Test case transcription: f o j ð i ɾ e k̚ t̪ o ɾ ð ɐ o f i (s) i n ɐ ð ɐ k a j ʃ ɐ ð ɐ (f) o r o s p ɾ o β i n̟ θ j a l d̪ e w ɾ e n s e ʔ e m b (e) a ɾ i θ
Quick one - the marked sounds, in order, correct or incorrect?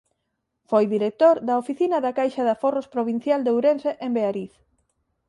incorrect, correct, correct

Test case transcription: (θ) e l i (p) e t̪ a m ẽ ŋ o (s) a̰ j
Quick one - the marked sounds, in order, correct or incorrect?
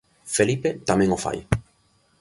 incorrect, correct, incorrect

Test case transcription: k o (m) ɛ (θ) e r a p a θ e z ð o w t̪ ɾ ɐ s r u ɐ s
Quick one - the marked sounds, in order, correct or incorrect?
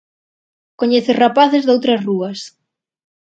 incorrect, correct

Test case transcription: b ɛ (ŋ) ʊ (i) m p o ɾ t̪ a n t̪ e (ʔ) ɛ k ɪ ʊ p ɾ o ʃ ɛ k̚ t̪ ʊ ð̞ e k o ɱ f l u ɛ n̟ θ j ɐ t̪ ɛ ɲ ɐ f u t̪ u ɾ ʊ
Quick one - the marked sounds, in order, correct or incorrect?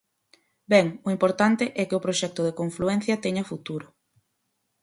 correct, correct, correct

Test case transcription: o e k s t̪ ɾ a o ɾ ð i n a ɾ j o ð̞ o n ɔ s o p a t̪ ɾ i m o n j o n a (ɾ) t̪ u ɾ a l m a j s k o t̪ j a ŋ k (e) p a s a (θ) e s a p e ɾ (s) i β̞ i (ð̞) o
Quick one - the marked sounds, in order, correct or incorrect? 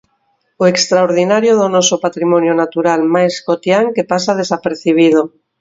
incorrect, correct, incorrect, incorrect, correct

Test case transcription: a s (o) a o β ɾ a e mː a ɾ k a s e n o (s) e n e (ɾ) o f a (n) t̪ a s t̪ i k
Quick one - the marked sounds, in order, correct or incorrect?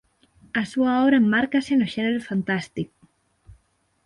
incorrect, incorrect, correct, correct

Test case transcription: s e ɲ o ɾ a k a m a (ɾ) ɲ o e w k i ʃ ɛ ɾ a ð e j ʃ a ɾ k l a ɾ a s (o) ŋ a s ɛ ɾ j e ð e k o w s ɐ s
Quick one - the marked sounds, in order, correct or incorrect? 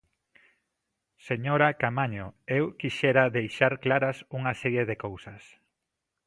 incorrect, incorrect

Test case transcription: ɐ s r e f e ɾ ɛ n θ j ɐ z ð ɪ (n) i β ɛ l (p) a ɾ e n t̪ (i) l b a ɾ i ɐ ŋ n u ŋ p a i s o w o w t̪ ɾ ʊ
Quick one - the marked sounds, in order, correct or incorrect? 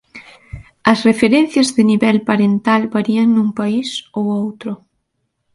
correct, correct, incorrect

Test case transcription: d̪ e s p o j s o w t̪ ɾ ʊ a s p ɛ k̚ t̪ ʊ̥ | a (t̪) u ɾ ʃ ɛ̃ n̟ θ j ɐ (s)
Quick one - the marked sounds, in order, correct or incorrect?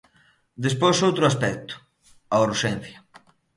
incorrect, incorrect

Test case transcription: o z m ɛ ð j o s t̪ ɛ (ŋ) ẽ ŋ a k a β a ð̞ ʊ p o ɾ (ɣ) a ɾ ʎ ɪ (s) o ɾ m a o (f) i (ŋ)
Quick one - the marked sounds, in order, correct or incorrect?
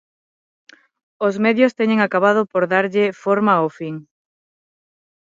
incorrect, incorrect, incorrect, correct, correct

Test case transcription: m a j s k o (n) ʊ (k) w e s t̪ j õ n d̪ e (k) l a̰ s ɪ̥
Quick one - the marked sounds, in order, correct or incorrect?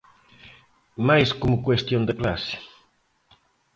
incorrect, correct, correct

